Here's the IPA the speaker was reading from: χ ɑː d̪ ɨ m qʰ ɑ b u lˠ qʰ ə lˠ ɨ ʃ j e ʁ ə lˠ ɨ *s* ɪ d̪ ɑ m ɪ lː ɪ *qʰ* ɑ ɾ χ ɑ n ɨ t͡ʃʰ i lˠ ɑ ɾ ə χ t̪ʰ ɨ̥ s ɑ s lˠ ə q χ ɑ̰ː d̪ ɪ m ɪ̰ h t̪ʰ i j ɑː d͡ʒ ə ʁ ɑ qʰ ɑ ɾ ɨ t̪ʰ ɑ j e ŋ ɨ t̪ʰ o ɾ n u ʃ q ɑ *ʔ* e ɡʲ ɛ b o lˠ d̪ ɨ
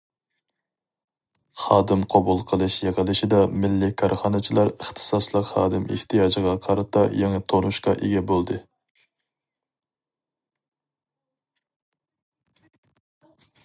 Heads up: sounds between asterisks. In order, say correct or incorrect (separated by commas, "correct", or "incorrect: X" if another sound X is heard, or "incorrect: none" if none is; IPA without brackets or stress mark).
incorrect: ʃ, incorrect: kʰ, correct